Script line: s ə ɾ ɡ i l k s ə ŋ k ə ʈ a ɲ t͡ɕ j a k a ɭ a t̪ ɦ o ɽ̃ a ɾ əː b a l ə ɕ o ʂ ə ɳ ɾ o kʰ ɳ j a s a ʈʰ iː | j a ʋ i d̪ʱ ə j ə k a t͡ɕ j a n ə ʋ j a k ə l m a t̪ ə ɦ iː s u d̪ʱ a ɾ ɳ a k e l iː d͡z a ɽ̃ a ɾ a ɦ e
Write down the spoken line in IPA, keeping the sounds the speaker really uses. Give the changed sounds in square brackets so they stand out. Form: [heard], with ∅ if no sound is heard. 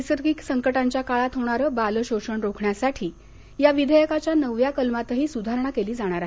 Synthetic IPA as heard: s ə ɾ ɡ i [∅] k s ə ŋ k ə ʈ a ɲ t͡ɕ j a k a ɭ a t̪ ɦ o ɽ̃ a ɾ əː b a l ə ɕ o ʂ ə ɳ ɾ o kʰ ɳ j a s a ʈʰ iː | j a ʋ i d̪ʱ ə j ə k a t͡ɕ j a n ə ʋ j a k ə l m a t̪ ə ɦ iː s u d̪ʱ a ɾ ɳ a k e l iː d͡z a ɽ̃ a ɾ a ɦ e